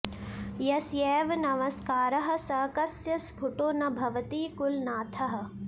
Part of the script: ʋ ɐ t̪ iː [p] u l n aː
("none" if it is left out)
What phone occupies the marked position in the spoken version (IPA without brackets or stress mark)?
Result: k